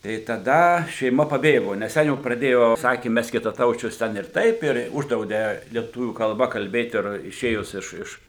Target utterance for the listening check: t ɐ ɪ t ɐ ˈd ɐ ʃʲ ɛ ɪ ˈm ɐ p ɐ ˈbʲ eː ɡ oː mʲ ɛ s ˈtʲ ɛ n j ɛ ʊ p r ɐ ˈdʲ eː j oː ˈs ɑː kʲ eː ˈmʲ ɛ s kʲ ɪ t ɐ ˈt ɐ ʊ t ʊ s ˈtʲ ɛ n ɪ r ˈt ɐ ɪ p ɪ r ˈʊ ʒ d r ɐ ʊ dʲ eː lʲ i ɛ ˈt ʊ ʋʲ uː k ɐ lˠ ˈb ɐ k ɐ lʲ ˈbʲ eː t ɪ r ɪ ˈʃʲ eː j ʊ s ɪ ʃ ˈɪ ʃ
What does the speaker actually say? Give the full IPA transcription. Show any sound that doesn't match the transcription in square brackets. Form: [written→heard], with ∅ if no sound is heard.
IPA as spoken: t ɐ ɪ t ɐ ˈd ɐ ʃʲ ɛ ɪ ˈm ɐ p ɐ ˈbʲ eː ɡ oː [mʲ→nʲ] ɛ s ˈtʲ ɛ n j ɛ ʊ p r ɐ ˈdʲ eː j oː ˈs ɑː kʲ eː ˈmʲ ɛ s kʲ ɪ t ɐ ˈt ɐ ʊ [t→t͡ʃʲ] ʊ s ˈtʲ ɛ n ɪ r ˈt ɐ ɪ p ɪ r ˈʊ ʒ d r ɐ ʊ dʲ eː lʲ i ɛ ˈt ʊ ʋʲ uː k ɐ lˠ ˈb ɐ k ɐ lʲ ˈbʲ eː t ɪ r ɪ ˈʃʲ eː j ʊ s ɪ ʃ ˈɪ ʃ

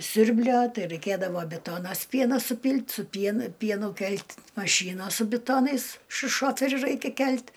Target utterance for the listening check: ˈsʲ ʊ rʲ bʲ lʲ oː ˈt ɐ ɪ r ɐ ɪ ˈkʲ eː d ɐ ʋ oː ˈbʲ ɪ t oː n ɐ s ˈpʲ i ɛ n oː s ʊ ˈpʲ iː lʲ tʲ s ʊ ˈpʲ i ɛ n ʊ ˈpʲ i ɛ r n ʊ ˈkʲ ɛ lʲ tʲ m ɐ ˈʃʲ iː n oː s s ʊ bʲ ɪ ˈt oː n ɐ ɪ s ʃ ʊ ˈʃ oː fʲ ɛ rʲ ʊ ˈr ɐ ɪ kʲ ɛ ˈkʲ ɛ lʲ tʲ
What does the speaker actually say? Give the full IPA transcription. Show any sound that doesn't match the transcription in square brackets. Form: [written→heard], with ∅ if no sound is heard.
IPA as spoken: ˈsʲ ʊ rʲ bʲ lʲ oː ˈt ɐ ɪ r ɐ ɪ ˈkʲ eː d ɐ ʋ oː ˈbʲ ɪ t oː n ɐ s ˈpʲ i ɛ n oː s ʊ ˈpʲ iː lʲ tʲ s ʊ ˈpʲ i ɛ n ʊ ˈpʲ i ɛ [r→∅] n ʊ ˈkʲ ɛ lʲ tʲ m ɐ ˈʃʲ iː n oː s s ʊ bʲ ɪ ˈt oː n ɐ ɪ s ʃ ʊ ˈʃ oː fʲ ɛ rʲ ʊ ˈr ɐ ɪ kʲ ɛ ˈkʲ ɛ lʲ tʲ

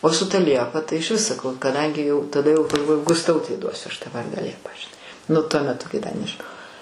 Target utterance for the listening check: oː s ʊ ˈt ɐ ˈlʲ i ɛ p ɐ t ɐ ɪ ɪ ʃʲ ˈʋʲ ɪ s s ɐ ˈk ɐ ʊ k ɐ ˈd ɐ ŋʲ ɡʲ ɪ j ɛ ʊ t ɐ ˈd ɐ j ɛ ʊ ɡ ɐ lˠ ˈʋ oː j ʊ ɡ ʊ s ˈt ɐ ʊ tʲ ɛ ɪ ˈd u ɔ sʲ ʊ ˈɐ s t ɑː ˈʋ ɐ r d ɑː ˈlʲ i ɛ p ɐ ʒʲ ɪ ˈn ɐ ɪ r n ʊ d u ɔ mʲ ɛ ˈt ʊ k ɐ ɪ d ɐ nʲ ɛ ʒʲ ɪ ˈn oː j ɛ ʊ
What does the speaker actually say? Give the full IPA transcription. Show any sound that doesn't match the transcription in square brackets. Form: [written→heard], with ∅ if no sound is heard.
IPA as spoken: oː s ʊ ˈt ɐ ˈlʲ i ɛ p ɐ t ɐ ɪ ɪ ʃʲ ˈʋʲ ɪ s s ɐ ˈk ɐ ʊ k ɐ ˈd ɐ ŋʲ ɡʲ ɪ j ɛ ʊ t ɐ ˈd ɐ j ɛ ʊ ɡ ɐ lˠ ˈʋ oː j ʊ ɡ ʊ s ˈt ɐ ʊ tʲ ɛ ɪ ˈd u ɔ sʲ ʊ ˈɐ [s→ʃ] t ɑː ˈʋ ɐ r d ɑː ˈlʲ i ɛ p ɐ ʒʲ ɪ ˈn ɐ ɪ [r→∅] n ʊ [d→t] u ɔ mʲ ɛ ˈt ʊ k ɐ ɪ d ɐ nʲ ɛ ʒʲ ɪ ˈn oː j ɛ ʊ

